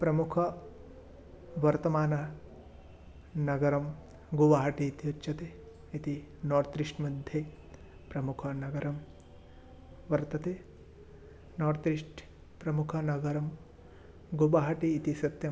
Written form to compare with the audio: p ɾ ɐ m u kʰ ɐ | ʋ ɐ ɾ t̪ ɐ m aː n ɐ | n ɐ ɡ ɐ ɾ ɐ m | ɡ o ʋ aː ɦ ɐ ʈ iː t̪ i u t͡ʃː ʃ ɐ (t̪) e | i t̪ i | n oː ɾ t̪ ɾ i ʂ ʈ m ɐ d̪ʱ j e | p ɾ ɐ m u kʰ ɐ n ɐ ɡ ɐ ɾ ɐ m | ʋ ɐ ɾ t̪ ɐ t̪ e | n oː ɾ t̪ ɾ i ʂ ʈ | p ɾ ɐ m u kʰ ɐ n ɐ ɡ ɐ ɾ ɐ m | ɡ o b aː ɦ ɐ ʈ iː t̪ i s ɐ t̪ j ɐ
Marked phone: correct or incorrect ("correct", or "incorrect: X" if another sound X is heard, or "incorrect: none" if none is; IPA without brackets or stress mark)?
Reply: correct